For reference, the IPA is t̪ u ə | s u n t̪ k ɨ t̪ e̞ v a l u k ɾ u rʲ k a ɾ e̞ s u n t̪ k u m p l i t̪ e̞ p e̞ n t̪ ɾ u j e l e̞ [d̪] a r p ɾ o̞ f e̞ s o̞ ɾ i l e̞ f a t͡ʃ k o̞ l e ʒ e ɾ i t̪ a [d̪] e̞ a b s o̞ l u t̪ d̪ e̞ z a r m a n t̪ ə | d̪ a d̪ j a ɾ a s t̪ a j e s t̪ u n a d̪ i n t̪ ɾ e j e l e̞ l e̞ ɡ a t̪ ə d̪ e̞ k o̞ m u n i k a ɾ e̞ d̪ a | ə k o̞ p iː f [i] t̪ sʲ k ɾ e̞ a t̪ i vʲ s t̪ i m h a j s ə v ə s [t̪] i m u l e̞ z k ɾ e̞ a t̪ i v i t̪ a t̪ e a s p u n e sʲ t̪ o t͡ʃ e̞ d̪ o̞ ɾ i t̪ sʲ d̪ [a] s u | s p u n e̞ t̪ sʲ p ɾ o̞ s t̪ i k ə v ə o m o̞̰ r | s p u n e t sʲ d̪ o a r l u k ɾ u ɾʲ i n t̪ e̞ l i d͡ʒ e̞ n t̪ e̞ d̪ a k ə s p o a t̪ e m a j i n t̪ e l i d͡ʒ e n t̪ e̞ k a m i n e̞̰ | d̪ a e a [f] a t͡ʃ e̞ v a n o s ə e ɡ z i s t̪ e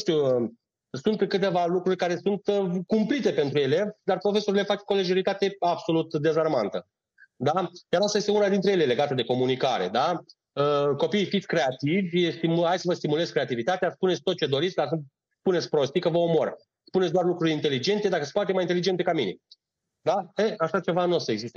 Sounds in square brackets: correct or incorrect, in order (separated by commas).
correct, incorrect, correct, correct, correct, incorrect